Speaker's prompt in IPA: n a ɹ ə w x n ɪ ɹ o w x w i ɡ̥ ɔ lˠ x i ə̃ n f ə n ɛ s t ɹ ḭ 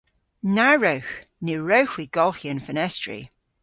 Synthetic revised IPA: n a ɹ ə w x n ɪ ɹ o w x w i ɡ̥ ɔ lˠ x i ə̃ n f ə n ɛ s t ɹ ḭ

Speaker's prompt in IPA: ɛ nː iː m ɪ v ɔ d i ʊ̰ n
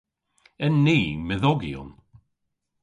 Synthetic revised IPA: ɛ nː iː m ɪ ð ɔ ɡ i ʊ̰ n

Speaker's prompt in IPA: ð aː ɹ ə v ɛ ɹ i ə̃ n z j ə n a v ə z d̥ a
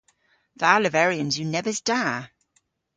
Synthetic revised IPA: ð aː l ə v ɛ ɹ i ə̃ n z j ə n ɛ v ə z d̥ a

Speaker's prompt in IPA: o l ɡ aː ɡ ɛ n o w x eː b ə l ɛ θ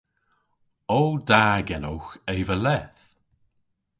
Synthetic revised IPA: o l d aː ɡ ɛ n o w x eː v ə l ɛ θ

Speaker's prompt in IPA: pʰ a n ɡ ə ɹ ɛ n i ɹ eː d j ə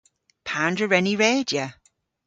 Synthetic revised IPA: pʰ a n d ə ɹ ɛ n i ɹ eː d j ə

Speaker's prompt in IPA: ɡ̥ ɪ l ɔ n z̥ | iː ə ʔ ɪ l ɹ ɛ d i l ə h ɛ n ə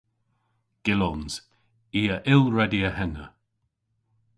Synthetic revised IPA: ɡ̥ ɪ l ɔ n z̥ | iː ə ʔ ɪ l ɹ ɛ d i ə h ɛ n ə

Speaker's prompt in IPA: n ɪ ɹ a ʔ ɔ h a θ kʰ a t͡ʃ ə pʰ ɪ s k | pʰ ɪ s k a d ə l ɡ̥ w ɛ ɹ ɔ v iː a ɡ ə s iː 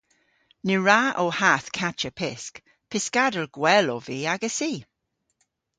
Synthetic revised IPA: n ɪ ɹ a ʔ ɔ h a θ kʰ a t͡ʃ ə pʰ ɪ s k | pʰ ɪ s k a d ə l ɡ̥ w ɛ l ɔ v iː a ɡ ə s iː

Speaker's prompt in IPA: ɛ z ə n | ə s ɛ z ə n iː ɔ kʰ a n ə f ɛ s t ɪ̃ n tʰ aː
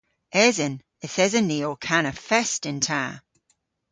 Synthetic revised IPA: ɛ z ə n | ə θ ɛ z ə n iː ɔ kʰ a n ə f ɛ s t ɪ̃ n tʰ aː

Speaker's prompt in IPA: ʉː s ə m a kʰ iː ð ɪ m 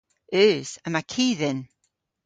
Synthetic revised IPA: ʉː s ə m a kʰ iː ð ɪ n

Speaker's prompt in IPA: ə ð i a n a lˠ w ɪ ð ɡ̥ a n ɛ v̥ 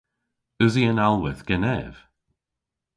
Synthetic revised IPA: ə z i ə n a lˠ w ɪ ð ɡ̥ ɛ n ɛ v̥

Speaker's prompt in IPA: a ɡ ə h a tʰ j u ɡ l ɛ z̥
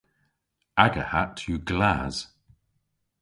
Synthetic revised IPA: a ɡ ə h a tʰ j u ɡ l a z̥

